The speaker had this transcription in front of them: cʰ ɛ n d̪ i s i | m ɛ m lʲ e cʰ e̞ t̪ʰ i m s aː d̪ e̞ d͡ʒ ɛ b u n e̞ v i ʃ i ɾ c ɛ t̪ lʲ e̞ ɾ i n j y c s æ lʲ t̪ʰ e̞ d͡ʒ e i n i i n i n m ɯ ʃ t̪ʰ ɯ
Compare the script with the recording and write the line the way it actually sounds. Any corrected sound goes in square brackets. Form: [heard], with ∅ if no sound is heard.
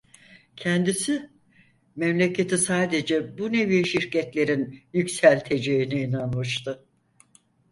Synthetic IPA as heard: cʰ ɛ n d̪ i s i | m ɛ m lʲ e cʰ e̞ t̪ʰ i [∅] s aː d̪ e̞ d͡ʒ ɛ b u n e̞ v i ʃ i ɾ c ɛ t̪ lʲ e̞ ɾ i n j y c s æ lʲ t̪ʰ e̞ d͡ʒ e i n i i n [a] n m ɯ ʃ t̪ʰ ɯ

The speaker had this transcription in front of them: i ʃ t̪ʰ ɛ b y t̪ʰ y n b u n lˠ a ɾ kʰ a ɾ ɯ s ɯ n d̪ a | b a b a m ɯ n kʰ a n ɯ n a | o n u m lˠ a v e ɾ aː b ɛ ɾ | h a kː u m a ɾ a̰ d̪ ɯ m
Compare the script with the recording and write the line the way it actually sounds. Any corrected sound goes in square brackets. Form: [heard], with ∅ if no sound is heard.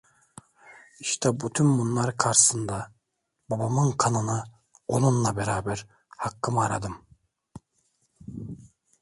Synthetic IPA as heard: i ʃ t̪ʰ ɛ b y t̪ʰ y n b u n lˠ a ɾ kʰ a ɾ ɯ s ɯ n d̪ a | b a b a m ɯ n kʰ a n ɯ n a | o n u [n] lˠ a [b] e ɾ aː b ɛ ɾ | h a kː [ɯ] m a ɾ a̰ d̪ ɯ m

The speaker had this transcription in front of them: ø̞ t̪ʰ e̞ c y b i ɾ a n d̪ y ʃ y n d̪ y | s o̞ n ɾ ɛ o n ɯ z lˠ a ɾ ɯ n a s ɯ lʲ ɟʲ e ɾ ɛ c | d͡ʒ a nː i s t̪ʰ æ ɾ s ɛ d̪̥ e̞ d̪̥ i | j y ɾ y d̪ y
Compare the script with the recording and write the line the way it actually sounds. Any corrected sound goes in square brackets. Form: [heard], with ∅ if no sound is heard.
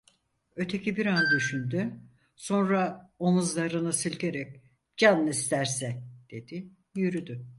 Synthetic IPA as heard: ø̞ t̪ʰ e̞ c [i] b i ɾ a n d̪ y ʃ y n d̪ y | s o̞ n ɾ [a] o n [u] z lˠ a ɾ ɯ n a s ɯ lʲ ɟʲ e ɾ ɛ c | d͡ʒ a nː i s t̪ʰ æ ɾ s ɛ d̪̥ e̞ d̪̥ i | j y ɾ y d̪ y

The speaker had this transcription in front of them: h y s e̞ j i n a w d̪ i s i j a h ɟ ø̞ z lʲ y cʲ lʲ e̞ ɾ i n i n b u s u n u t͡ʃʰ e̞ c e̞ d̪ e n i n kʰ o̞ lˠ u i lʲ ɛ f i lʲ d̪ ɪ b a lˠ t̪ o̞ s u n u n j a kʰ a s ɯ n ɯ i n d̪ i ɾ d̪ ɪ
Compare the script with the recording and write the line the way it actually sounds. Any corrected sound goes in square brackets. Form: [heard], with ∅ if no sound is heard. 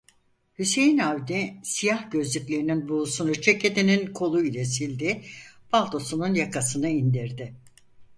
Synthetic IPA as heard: h y s e̞ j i n a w d̪ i s i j a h ɟ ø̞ z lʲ y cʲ lʲ e̞ ɾ i n i n b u s u n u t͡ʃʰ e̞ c e̞ d̪ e n i n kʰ o̞ lˠ u i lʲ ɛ [s] i lʲ d̪ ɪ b a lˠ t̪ o̞ s u n u n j a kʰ a s ɯ n ɯ i n d̪ i ɾ d̪ ɪ

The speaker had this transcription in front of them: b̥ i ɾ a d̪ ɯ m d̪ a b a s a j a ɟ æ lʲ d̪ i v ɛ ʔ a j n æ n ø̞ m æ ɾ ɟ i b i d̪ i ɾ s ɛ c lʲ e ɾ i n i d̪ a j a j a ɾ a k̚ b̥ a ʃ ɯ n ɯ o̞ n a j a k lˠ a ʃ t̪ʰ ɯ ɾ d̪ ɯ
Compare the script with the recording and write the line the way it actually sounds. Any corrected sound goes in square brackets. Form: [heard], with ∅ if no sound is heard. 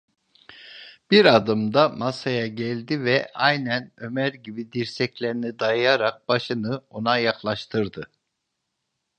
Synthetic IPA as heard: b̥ i ɾ a d̪ ɯ m d̪ a [m] a s a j a ɟ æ lʲ d̪ i v ɛ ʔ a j n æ n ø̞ m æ ɾ ɟ i b i d̪ i ɾ s ɛ c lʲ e ɾ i n i d̪ a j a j a ɾ a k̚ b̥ a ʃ ɯ n ɯ o̞ n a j a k lˠ a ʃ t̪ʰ ɯ ɾ d̪ ɯ

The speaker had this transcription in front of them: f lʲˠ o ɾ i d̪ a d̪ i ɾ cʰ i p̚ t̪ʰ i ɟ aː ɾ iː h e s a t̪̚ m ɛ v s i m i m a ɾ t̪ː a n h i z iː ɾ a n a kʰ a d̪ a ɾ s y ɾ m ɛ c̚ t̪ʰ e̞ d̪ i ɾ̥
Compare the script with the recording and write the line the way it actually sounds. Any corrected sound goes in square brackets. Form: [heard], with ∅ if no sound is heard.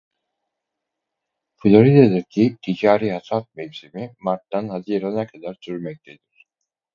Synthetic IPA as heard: f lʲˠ o ɾ i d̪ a d̪ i ɾ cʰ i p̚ t̪ʰ i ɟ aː ɾ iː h [a] s a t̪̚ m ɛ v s i m i m a ɾ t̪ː a n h [a] z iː ɾ a n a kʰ a d̪ a ɾ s y ɾ m ɛ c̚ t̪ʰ e̞ d̪ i ɾ̥

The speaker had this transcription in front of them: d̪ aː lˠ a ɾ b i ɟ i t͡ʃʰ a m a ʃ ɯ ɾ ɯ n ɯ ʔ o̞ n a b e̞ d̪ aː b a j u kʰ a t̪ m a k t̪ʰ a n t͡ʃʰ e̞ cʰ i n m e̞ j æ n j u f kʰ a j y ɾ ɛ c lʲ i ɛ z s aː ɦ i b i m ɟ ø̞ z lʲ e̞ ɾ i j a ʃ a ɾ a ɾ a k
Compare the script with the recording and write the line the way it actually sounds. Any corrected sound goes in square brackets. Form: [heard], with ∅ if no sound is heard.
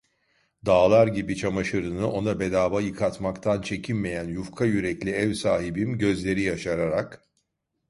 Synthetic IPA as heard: d̪ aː lˠ a ɾ [ɟ] i [b] i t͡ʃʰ a m a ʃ ɯ ɾ ɯ n ɯ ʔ o̞ n a b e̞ d̪ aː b a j [ɯ] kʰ a t̪ m a k t̪ʰ a n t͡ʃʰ e̞ cʰ i n m e̞ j æ n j u f kʰ a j y ɾ ɛ c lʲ i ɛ [v] s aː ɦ i b i m ɟ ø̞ z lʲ e̞ ɾ i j a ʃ a ɾ a ɾ a k

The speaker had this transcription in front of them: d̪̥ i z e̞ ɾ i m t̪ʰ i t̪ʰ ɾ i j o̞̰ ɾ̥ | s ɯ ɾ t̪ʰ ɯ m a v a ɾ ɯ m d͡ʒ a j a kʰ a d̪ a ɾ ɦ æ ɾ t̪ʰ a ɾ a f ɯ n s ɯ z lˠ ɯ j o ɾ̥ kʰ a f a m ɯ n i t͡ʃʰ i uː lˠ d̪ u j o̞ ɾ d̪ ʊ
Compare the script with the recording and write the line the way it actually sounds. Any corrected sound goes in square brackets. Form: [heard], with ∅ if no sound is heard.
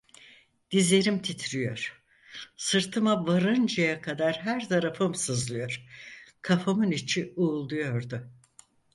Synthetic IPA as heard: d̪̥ i z e̞ ɾ i m t̪ʰ i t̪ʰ ɾ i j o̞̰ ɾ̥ | s ɯ ɾ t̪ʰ ɯ m a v a ɾ ɯ [n] d͡ʒ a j a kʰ a d̪ a ɾ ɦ æ ɾ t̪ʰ a ɾ a f ɯ [m] s ɯ z lˠ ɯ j o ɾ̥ kʰ a f a m ɯ n i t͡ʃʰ i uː lˠ d̪ u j o̞ ɾ d̪ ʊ

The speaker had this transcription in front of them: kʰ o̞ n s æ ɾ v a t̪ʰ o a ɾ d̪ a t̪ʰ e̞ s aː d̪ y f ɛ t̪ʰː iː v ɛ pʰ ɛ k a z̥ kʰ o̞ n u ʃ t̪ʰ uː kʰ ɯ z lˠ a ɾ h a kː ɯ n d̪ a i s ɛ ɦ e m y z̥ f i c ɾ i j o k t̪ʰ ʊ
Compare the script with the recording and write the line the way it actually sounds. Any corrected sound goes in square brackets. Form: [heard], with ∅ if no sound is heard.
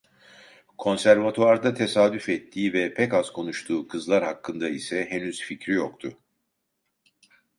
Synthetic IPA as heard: kʰ o̞ n s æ ɾ v a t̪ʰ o a ɾ d̪ a t̪ʰ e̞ s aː d̪ y f ɛ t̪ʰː iː v ɛ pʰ ɛ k a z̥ kʰ o̞ n u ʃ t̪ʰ uː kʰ ɯ z lˠ a ɾ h a kː ɯ n d̪ a i s ɛ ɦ e [n] y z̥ f i c ɾ i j o k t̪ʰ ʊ

